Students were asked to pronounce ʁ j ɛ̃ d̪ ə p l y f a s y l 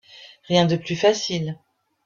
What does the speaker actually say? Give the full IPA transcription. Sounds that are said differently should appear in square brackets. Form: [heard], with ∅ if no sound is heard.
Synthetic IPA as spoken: ʁ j ɛ̃ d̪ ə p l y f a s [i] l